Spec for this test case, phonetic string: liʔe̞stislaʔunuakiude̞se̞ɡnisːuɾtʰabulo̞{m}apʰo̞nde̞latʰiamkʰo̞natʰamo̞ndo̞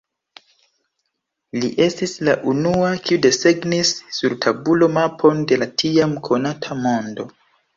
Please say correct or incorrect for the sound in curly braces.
correct